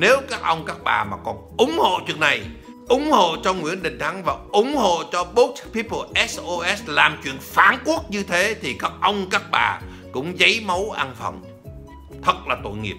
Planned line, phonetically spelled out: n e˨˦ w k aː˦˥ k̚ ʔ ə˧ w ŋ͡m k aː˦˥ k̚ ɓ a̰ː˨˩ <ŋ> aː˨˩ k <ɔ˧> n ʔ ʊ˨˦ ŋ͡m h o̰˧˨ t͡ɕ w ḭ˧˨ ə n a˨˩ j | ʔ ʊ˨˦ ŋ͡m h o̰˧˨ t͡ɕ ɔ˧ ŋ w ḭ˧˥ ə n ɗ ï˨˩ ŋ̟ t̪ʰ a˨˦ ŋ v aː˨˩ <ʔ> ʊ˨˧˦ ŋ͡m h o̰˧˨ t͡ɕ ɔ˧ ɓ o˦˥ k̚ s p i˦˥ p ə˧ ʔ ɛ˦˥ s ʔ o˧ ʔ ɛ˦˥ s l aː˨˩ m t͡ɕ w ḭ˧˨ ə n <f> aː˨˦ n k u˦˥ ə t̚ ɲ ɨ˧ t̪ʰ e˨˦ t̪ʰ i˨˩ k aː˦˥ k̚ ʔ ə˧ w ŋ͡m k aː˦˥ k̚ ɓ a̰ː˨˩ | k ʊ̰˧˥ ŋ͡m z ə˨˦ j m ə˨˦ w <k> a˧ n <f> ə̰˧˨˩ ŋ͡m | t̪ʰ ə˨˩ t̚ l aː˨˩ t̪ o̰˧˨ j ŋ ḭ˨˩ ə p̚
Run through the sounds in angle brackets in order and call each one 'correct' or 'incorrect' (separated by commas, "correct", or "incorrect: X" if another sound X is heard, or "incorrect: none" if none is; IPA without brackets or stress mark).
incorrect: m, incorrect: ɔ˨˩, correct, correct, incorrect: ʔ, correct